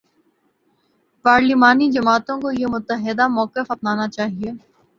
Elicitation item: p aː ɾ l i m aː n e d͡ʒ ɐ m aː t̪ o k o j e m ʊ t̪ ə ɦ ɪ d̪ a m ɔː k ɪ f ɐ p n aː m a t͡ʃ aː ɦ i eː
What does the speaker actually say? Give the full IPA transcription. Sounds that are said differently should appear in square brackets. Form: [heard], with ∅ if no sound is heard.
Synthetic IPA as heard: p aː ɾ l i m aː n [i] d͡ʒ ɐ m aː t̪ [õ] k o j e m ʊ t̪ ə ɦ ɪ d̪ a m ɔː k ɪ f ɐ p n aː [n] a t͡ʃ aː ɦ i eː